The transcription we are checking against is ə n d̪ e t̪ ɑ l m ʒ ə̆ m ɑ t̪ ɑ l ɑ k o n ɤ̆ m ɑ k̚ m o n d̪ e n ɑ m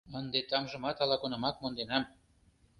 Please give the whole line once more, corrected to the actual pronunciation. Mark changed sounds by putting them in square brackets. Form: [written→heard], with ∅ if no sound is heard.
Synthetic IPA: ə n d̪ e t̪ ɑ [l→∅] m ʒ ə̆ m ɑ t̪ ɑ l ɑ k o n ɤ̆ m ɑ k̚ m o n d̪ e n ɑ m